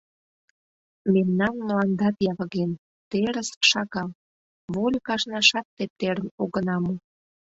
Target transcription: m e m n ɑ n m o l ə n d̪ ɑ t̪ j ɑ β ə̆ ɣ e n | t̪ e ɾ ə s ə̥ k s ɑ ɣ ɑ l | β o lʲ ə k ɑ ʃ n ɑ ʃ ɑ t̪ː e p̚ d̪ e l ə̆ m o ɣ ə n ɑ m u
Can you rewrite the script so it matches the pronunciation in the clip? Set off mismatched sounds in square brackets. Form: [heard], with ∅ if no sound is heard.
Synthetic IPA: m e m n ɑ n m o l [ɑ] n d̪ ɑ t̪ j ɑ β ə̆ ɣ e n | t̪ e ɾ ə s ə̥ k [ʃ] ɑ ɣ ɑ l | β o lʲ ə k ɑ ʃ n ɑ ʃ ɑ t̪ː e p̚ [t̪] e [ɾ] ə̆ [n] o ɣ ə n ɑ m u